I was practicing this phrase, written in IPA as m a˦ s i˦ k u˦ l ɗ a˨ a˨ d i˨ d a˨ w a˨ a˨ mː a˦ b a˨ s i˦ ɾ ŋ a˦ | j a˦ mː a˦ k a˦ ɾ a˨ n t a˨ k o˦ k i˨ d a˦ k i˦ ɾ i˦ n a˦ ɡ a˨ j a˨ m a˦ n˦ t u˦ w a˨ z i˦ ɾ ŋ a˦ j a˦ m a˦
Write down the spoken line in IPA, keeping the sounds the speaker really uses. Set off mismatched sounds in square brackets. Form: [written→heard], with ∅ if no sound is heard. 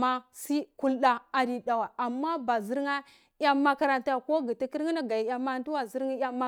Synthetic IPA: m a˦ s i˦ k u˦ l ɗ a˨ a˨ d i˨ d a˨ w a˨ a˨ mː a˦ b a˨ [s→z] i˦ ɾ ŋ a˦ | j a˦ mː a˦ k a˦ ɾ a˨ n t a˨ k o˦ [k→ɡ] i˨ [d→t] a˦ k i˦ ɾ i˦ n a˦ ɡ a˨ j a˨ m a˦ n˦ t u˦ w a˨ z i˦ ɾ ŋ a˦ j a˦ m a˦

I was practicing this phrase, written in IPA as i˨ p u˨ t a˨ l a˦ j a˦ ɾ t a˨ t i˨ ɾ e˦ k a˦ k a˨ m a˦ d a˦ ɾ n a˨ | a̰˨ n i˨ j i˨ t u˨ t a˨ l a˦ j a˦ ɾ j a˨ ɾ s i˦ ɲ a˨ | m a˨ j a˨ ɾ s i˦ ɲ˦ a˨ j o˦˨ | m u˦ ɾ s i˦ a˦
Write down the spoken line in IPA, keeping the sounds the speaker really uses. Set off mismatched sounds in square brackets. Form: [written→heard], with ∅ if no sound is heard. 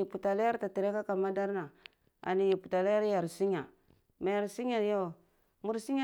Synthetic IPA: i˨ p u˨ t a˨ l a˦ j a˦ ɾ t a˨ t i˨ ɾ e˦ k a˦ k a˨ m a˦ d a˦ ɾ n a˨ | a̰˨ n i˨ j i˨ [t→p] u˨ t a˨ l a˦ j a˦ ɾ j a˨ ɾ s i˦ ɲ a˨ | m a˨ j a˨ ɾ s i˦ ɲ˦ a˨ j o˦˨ | m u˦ ɾ s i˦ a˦

